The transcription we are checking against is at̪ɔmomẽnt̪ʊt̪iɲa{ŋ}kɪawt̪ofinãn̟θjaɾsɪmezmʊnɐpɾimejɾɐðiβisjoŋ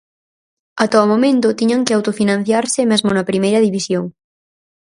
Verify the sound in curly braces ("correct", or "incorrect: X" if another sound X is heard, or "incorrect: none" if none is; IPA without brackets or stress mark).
correct